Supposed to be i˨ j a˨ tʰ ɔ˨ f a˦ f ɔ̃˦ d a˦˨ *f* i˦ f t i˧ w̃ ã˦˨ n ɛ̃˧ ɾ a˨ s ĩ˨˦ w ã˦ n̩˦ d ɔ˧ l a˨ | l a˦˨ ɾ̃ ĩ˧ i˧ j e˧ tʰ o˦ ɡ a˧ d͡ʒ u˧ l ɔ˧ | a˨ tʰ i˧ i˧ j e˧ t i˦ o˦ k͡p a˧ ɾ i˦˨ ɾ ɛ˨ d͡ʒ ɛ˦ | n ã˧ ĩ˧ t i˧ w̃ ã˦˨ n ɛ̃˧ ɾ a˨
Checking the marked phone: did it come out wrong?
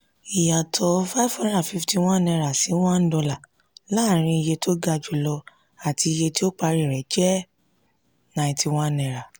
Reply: no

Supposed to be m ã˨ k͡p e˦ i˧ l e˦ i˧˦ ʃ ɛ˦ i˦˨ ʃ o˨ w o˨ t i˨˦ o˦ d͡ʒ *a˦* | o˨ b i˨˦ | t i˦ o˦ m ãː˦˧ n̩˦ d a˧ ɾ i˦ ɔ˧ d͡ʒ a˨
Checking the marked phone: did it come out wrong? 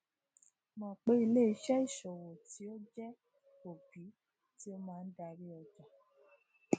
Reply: yes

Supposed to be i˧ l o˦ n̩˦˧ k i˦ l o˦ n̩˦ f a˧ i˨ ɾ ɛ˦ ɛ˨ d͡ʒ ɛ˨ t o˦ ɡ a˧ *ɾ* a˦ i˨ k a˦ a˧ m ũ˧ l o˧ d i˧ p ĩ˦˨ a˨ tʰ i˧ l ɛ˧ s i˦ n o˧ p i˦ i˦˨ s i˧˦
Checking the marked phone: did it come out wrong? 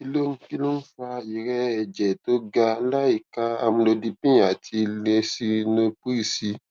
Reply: yes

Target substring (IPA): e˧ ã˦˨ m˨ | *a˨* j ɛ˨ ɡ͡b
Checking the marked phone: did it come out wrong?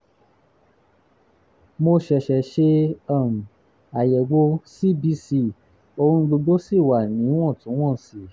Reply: no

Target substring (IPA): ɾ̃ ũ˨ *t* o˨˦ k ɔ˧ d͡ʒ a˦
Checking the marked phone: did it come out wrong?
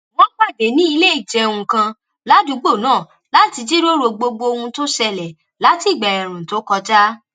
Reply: no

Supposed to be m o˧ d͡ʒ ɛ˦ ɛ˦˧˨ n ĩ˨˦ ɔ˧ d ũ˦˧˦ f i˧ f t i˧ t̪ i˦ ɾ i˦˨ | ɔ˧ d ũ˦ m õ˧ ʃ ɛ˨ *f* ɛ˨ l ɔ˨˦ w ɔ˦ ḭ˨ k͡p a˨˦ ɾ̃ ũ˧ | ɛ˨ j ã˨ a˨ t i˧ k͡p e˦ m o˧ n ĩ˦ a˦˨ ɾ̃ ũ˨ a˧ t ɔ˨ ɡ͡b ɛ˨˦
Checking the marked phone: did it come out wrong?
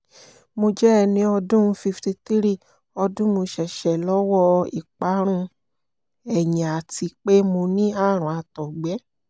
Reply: yes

